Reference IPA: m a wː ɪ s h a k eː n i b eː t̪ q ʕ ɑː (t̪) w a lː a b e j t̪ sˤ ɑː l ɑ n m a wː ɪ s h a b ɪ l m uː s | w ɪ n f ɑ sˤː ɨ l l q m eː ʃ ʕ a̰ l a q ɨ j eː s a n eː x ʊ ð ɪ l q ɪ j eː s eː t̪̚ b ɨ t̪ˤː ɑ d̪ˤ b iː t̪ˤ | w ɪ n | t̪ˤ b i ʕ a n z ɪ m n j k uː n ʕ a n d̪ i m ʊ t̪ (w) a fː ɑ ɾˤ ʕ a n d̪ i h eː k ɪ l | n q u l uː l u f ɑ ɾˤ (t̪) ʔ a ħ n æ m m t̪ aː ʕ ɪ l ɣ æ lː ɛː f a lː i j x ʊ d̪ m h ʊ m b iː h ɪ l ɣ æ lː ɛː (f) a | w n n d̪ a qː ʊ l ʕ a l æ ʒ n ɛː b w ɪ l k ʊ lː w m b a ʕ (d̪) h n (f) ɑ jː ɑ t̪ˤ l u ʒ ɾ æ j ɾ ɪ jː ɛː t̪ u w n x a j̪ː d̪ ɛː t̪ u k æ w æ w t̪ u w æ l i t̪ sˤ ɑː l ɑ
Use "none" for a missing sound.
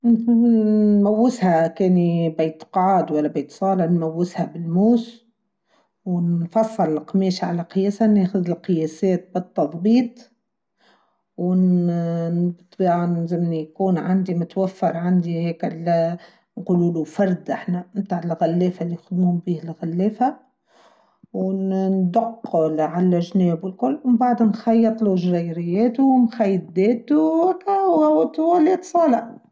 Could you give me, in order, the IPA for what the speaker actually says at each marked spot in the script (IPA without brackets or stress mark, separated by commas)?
d̪, w, d̪, f, d̪, x